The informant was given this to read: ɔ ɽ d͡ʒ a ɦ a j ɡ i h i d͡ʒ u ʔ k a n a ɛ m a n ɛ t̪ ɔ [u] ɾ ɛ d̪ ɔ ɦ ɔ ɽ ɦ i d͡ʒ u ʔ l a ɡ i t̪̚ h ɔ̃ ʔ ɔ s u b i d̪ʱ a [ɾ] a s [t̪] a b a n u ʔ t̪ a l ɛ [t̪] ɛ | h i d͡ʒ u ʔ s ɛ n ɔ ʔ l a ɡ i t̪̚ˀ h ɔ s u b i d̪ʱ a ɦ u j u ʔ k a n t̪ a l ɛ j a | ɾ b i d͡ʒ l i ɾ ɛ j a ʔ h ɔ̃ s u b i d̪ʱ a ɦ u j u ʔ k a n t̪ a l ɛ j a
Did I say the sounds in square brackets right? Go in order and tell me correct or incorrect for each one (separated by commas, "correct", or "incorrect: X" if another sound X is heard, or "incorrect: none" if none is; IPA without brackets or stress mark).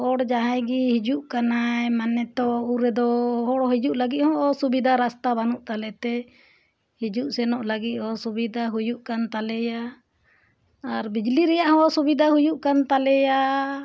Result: correct, correct, correct, correct